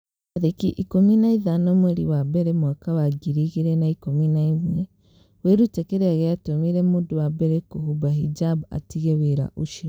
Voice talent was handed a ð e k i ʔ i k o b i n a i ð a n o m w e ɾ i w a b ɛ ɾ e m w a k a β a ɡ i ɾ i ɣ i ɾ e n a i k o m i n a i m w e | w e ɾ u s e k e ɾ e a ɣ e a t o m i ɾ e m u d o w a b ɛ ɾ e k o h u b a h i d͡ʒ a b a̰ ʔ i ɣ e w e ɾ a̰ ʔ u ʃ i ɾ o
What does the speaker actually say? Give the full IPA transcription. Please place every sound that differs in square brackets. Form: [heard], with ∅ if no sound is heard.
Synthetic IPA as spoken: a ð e k i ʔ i k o [m] i n a i ð a n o m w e ɾ i w a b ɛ ɾ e m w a k a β a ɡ i ɾ i ɣ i ɾ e n a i k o m i n a i m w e | w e ɾ u [t] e k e ɾ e a ɣ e a t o m i ɾ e m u d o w a b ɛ ɾ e k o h u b a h i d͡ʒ a b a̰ [t] i ɣ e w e ɾ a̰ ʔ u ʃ i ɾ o